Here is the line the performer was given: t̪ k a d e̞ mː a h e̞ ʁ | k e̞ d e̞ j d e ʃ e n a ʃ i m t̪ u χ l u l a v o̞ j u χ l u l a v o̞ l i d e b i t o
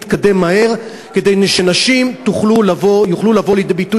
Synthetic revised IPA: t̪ k a d e̞ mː a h e̞ ʁ | k e̞ d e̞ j n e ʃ e n a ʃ i m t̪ u χ l u l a v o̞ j u χ l u l a v o̞ l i d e b i t u

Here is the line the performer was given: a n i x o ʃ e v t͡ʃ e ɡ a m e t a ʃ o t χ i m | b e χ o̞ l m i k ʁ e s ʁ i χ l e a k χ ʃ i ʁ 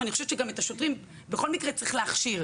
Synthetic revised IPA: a n i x o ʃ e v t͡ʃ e ɡ a m e t a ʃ o t ʁ i m | b e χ o̞ l m i k ʁ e t͡s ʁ i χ l e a χ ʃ i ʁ

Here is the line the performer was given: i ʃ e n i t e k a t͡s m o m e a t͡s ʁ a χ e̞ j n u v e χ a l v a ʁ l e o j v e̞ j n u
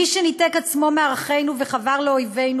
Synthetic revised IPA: i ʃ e n i t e k a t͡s m o m e a ʁ a χ e̞ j n u v e χ a v a ʁ l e o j v e̞ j n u

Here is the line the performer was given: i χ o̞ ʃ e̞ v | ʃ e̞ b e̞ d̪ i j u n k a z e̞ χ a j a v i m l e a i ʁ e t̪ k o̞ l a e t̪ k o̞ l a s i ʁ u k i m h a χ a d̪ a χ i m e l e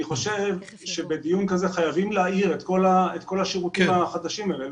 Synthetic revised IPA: i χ o̞ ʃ e̞ v | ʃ e̞ b e̞ d̪ i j u n k a z e̞ χ a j a v i m l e a i ʁ e t̪ k o̞ l a e t̪ k o̞ l a ʃ i ʁ u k i m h a χ a d̪ a ʃ i m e l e

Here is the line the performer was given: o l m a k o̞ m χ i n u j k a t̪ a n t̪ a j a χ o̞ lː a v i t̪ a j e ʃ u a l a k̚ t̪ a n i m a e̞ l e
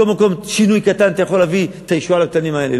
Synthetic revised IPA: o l m a k o̞ m ʃ i n u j k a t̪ a n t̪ a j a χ o̞ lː a v i t̪ a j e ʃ u a l a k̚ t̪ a n i m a e̞ l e

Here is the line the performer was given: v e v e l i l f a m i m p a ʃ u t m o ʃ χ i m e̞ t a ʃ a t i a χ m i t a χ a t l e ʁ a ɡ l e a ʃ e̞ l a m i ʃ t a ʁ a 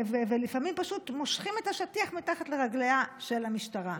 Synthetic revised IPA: v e v e l i f a m i m p a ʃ u t m o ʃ χ i m e̞ t a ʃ a t i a χ m i t a χ a t l e ʁ a ɡ l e a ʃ e̞ l a m i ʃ t a ʁ a

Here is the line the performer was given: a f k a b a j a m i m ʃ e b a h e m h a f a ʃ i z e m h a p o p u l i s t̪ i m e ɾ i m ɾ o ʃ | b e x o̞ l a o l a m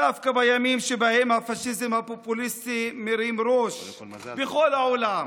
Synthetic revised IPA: a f k a b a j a m i m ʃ e b a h e m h a f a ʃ i z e m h a p o p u l i s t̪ i m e ɾ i m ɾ o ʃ | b e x o̞ l a o l a m

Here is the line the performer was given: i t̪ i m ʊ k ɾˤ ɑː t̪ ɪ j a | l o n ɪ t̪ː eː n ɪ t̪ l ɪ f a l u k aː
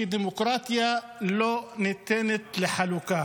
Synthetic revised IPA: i d̪ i m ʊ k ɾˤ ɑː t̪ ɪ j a | l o n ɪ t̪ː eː n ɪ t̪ l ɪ ħ a l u k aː

